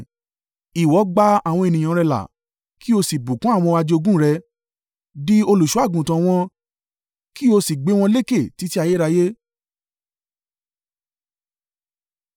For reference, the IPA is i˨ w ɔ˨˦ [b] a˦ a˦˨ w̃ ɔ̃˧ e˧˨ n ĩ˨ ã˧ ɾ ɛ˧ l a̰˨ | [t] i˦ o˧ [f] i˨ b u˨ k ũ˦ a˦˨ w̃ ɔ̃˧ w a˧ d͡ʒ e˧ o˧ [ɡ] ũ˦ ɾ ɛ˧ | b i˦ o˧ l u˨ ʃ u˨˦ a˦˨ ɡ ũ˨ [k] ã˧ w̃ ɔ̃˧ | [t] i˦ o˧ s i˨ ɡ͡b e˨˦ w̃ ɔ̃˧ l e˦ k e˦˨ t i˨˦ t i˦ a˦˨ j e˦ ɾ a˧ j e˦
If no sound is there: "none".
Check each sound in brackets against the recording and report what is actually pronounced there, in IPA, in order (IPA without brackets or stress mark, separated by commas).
ɡ͡b, k, s, ɡ, t, k